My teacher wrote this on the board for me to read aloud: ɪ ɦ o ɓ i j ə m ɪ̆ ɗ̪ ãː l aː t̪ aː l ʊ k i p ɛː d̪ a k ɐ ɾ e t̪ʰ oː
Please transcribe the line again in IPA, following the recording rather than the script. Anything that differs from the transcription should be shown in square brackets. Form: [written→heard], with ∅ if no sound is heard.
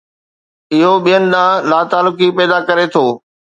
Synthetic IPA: ɪ ɦ o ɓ i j ə [m→n] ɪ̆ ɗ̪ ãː l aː t̪ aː l ʊ k i p ɛː d̪ a k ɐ ɾ e t̪ʰ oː